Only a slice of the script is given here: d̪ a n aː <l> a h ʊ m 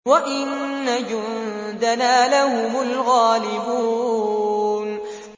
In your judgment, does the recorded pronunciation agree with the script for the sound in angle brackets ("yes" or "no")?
yes